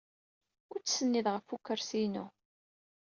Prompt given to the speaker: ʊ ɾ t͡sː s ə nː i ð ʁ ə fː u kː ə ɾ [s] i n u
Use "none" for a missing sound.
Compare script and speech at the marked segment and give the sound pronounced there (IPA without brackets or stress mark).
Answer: s